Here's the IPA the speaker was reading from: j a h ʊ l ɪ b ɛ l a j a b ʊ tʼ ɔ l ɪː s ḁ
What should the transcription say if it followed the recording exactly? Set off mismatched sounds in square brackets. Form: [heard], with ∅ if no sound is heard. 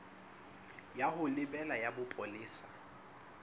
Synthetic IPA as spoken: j a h ʊ l ɪ b ɛ l a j a b ʊ [pʼ] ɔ l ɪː s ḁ